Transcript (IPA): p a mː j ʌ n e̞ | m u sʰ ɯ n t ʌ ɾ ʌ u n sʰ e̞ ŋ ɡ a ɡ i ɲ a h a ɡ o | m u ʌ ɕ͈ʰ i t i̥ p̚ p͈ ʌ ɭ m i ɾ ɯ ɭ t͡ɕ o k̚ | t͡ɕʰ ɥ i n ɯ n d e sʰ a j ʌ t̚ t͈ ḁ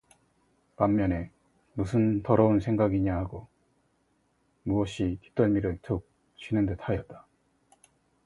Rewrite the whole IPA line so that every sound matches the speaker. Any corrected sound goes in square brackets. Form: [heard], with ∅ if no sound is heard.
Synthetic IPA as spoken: p a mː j ʌ n e̞ | m u sʰ ɯ n t ʌ ɾ ʌ u n sʰ e̞ ŋ ɡ a ɡ i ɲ a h a ɡ o | m u ʌ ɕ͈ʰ i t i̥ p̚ [t͈] ʌ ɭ m i ɾ ɯ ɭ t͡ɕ o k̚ | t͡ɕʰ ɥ i n ɯ n d e [tʰ] a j ʌ t̚ t͈ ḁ